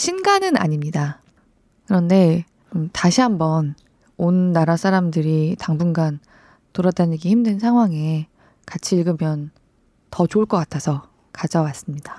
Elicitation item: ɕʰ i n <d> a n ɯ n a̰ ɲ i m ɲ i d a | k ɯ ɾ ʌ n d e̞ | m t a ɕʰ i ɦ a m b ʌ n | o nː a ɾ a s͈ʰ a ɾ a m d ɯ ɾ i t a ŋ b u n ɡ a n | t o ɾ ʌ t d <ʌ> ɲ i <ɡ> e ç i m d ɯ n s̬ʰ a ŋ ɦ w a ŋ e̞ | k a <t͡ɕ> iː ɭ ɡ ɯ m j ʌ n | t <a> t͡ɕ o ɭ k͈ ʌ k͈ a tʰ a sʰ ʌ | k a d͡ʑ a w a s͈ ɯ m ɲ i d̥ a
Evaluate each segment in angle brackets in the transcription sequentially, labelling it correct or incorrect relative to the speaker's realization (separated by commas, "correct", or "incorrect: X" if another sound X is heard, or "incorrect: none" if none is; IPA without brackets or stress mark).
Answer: incorrect: ɡ, incorrect: a, correct, incorrect: t͡ɕʰ, incorrect: ʌ